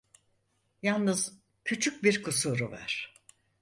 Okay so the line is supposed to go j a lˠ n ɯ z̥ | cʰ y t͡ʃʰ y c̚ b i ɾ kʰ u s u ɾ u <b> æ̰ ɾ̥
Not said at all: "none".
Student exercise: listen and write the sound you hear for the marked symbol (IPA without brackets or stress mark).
v